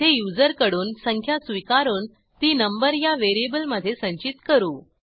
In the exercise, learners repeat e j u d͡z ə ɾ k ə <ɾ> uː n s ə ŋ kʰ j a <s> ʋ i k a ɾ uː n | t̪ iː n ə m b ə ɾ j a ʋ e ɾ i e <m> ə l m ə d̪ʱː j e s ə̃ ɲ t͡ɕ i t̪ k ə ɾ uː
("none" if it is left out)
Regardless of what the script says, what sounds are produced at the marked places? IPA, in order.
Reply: ɽ, s, b

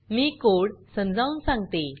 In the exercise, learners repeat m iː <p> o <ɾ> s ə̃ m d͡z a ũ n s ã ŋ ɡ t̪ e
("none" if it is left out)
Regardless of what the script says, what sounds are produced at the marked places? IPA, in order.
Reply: k, ɽ

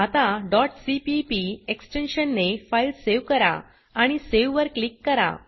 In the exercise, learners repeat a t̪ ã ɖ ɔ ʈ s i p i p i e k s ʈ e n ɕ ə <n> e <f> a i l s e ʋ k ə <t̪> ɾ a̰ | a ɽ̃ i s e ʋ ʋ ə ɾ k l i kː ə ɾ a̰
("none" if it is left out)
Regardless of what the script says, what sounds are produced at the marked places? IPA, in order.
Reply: nː, f, none

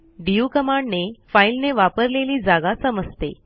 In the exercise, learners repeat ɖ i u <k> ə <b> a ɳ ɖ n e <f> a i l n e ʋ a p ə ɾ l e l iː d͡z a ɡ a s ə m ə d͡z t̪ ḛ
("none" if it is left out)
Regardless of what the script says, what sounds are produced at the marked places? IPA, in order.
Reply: k, m, f

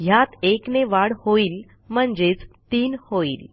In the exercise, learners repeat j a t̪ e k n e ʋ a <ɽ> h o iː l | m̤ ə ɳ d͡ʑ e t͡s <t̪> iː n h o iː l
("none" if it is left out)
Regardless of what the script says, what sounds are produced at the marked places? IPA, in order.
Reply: ɽ, t̪

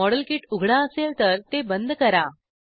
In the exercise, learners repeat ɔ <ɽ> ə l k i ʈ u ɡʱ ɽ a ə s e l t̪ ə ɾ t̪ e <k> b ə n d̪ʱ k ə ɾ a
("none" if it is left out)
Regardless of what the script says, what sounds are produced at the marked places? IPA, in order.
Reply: ɽ, none

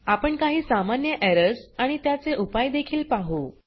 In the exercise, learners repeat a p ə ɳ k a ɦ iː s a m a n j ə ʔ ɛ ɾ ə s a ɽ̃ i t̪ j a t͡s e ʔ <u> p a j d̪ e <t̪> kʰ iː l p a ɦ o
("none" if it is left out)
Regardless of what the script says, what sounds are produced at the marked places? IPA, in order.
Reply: u, none

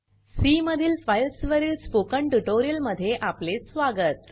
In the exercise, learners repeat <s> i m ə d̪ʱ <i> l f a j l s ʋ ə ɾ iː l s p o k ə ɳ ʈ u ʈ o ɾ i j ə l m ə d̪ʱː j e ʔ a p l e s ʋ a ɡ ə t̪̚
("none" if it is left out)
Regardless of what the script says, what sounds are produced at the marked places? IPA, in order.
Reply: s, iː

